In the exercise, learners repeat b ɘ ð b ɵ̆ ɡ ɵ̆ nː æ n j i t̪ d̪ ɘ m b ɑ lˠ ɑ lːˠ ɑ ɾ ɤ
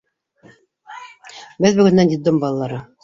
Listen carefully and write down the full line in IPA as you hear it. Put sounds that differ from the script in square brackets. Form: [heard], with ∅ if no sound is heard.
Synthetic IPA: b ɘ ð b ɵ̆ ɡ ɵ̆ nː æ n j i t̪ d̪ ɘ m b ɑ lˠ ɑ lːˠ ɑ ɾ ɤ